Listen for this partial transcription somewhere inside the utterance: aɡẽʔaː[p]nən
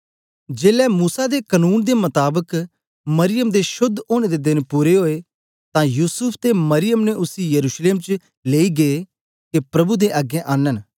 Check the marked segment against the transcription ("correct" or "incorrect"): incorrect